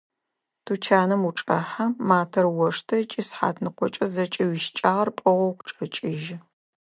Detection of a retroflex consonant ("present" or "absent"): present